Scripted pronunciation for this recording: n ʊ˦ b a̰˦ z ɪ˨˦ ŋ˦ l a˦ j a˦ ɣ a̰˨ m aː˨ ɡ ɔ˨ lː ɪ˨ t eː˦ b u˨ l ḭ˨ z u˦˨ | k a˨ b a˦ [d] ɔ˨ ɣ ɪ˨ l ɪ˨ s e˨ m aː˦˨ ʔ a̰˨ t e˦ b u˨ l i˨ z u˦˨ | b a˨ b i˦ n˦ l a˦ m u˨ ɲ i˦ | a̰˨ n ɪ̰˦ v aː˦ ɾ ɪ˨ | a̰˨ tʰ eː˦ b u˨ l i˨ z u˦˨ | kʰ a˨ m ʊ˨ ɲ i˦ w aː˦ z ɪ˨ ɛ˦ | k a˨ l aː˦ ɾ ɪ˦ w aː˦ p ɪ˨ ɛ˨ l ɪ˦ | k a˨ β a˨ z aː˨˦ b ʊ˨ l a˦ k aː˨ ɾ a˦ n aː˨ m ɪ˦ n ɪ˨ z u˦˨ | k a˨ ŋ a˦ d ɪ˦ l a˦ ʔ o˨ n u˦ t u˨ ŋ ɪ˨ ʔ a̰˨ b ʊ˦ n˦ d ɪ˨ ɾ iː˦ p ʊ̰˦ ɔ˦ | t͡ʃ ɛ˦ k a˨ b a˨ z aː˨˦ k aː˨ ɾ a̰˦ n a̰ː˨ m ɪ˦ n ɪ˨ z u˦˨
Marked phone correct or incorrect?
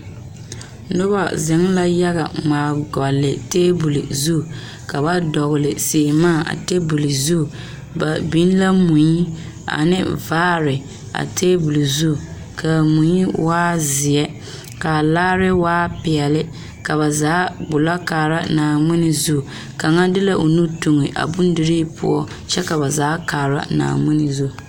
correct